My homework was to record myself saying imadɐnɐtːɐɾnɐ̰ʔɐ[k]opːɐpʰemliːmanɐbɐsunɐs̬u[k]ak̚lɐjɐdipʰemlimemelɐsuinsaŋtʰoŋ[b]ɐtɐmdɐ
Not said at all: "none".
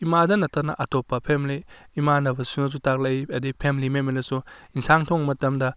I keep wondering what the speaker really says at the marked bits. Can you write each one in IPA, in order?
t, t, m

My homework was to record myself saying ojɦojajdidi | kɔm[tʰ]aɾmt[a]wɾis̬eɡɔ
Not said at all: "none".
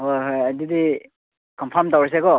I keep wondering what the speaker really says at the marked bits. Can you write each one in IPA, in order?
pʰ, a

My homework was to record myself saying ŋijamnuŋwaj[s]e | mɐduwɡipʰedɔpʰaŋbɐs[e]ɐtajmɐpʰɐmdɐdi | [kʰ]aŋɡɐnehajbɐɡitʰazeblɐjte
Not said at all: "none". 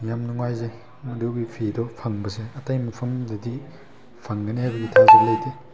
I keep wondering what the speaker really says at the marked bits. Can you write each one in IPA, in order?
z, e, pʰ

